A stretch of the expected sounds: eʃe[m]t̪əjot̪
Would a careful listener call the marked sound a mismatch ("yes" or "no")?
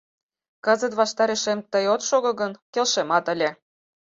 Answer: no